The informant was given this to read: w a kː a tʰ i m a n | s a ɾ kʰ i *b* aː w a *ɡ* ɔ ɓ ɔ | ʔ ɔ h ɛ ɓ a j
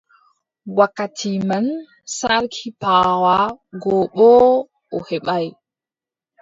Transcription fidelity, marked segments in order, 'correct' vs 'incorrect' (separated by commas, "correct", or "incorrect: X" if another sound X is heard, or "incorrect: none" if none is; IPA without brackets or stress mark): incorrect: p, correct